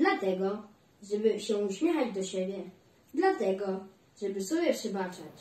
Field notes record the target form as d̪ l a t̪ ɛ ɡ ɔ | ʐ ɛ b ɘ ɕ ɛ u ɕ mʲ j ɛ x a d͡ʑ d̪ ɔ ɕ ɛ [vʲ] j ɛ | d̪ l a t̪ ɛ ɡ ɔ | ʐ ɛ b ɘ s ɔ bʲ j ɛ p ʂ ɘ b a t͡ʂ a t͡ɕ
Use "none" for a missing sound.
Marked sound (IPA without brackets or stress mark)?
bʲ